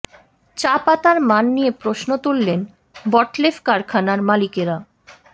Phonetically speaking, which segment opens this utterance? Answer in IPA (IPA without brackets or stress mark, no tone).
t͡ɕ